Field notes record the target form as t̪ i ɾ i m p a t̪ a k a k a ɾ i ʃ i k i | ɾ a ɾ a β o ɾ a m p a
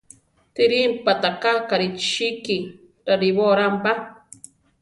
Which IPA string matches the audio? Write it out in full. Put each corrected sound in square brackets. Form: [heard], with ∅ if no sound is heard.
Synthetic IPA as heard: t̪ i ɾ i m p a t̪ a k a k a ɾ i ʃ i k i | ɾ a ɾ [i] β o ɾ a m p a